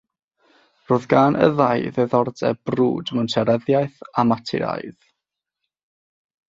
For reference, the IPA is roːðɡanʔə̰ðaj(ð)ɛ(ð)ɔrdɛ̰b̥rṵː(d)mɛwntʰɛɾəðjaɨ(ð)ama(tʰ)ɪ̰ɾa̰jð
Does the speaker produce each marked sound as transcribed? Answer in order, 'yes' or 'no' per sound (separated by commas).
yes, yes, yes, no, yes